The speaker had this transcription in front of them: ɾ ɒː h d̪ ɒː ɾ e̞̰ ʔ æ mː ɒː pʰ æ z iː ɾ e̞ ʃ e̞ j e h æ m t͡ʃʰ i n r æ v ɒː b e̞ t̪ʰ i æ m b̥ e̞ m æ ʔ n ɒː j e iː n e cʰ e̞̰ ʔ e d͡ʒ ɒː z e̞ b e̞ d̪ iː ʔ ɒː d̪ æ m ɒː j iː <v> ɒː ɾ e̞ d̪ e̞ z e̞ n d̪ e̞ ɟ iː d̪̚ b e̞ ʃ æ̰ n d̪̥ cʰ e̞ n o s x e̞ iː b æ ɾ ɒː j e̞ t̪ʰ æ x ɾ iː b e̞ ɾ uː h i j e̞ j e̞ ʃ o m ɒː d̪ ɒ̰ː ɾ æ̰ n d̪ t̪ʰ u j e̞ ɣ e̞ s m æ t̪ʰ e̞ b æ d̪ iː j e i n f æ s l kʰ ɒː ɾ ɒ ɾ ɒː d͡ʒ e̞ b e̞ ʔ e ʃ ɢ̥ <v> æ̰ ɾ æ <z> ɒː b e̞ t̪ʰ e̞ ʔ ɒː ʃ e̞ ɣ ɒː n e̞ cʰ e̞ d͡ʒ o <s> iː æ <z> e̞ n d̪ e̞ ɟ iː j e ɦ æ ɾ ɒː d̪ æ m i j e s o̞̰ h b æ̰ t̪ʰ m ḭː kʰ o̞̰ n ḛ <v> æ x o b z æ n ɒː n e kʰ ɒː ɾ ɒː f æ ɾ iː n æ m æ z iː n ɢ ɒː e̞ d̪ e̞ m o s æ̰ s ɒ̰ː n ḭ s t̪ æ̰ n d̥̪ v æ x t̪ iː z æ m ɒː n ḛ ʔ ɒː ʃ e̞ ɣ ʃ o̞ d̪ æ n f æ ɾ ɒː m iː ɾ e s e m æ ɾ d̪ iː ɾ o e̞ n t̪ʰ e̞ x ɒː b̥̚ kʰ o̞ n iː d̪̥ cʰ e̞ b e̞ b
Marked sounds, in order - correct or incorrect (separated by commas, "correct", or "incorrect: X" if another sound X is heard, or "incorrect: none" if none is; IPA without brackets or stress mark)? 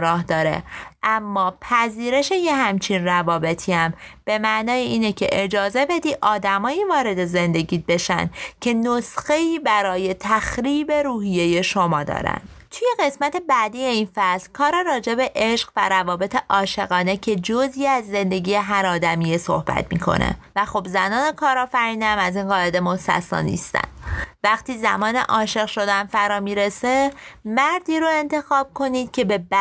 correct, correct, incorrect: v, incorrect: z, incorrect: zː, correct